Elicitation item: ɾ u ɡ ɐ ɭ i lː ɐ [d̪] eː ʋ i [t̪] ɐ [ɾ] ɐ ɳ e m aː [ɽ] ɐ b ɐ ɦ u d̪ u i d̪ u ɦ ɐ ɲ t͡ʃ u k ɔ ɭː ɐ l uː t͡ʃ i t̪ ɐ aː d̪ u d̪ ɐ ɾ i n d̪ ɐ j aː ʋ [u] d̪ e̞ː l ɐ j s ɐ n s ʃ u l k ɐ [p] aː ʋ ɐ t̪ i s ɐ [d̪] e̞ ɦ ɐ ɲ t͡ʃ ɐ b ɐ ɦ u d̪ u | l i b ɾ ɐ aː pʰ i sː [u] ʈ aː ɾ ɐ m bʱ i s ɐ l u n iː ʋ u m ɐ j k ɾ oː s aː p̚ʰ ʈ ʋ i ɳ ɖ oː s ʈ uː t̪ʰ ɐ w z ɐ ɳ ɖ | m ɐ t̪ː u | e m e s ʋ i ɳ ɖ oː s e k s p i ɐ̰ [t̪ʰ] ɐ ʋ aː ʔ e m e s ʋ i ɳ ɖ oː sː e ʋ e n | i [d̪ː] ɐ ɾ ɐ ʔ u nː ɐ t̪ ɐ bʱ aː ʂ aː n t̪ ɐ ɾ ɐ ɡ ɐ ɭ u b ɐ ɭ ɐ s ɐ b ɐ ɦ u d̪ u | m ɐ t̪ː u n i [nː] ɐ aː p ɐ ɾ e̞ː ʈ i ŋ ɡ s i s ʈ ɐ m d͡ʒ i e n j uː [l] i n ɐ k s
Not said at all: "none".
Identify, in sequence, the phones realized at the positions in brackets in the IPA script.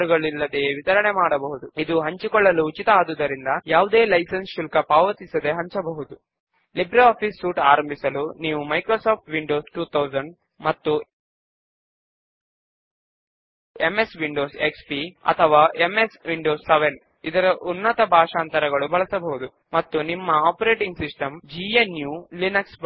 d̪, t̪, ɾ, ɽ, u, p, d̪, uː, t̪ʰ, d̪, mː, l

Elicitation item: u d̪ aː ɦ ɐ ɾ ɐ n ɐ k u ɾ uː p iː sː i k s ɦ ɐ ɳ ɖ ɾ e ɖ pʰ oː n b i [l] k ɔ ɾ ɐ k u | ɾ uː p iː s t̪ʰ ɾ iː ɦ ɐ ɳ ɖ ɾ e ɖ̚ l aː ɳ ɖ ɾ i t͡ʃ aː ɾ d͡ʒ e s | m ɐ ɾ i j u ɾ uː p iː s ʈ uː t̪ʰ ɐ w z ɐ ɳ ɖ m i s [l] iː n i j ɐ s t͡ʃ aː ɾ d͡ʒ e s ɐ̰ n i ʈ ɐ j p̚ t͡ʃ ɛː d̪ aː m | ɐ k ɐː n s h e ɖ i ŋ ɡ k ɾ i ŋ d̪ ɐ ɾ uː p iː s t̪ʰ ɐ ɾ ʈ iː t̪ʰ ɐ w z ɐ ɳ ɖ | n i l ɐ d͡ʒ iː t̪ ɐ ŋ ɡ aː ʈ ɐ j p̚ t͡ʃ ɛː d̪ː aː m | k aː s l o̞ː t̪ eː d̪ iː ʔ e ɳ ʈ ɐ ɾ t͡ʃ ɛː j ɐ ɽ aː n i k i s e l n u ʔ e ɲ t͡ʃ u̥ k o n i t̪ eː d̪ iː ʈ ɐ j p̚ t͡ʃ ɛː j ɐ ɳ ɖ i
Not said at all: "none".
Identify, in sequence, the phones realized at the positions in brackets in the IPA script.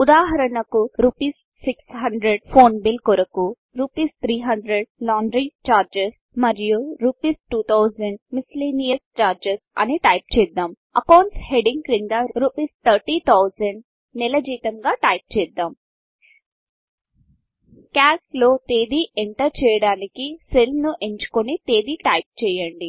l, l

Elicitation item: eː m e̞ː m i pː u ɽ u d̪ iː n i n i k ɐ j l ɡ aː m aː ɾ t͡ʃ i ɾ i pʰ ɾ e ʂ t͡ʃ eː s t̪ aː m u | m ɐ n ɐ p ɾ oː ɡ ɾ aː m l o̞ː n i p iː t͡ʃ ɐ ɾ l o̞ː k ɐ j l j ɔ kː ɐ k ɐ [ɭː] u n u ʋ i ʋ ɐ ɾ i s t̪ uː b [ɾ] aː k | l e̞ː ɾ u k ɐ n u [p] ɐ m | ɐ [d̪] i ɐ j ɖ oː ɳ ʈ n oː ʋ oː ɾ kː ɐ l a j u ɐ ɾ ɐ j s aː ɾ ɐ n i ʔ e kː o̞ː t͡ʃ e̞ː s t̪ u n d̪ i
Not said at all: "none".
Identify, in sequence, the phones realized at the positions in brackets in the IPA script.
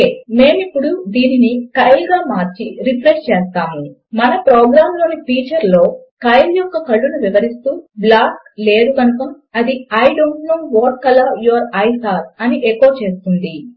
ɭː, l, k, d̪

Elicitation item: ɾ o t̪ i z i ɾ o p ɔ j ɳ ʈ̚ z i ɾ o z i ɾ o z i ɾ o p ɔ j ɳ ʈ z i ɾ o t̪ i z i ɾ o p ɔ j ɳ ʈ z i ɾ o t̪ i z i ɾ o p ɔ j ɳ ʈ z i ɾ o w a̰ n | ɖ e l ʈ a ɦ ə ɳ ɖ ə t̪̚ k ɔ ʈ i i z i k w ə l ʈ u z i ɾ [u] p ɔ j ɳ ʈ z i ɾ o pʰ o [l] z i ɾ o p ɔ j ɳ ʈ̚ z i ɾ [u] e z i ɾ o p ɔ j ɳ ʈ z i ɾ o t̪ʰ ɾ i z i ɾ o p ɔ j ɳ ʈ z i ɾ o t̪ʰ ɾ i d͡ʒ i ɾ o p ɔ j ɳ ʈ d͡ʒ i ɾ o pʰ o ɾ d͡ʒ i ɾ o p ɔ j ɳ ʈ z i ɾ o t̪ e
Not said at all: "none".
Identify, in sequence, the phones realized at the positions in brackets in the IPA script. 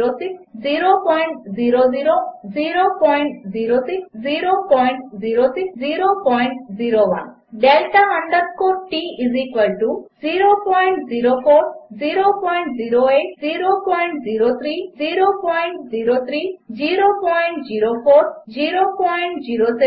o, ɾ, o

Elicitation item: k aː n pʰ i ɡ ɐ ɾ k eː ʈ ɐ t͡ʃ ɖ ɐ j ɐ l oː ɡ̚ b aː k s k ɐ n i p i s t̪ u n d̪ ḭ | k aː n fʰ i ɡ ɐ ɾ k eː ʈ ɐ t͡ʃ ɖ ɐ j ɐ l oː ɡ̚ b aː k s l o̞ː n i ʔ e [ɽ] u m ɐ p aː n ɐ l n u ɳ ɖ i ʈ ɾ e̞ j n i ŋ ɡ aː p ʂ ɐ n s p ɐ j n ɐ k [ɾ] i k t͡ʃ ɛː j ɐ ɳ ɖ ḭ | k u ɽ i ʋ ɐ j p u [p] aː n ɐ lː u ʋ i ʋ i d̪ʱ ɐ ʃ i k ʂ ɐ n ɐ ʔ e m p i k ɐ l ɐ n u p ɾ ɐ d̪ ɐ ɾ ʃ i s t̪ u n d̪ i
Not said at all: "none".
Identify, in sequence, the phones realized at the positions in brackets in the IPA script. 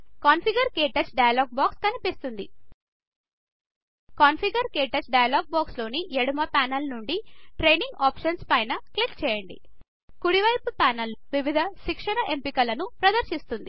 ɽ, l, p

